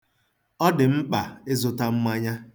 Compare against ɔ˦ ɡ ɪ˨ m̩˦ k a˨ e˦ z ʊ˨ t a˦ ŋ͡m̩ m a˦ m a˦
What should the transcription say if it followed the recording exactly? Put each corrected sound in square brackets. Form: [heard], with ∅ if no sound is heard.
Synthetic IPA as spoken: ɔ˦ [d] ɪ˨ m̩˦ [k͡p] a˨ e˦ z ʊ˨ t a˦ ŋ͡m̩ m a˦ [ɲ] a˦